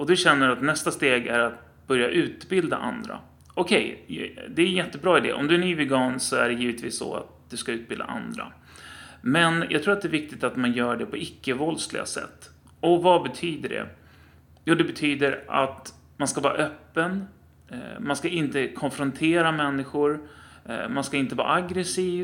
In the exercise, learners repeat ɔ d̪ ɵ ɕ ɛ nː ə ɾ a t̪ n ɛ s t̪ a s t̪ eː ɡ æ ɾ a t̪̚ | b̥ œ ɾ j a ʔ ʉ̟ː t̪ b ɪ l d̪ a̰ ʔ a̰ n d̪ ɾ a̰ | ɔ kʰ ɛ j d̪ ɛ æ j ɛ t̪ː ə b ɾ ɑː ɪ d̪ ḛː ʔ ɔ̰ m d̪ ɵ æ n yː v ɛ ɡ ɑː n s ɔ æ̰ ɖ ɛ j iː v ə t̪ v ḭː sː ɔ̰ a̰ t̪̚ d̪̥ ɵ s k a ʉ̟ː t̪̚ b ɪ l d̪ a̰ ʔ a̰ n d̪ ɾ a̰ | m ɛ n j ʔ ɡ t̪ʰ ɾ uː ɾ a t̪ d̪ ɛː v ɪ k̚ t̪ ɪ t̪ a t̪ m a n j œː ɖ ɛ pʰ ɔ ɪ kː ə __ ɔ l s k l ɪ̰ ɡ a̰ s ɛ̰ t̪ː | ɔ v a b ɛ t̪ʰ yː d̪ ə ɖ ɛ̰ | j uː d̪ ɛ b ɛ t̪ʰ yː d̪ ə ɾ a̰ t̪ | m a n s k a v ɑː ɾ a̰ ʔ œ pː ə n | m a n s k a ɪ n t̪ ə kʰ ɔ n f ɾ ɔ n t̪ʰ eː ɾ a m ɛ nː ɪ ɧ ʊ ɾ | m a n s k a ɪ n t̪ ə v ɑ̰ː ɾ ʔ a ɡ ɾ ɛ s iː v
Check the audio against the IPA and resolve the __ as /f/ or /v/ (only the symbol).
v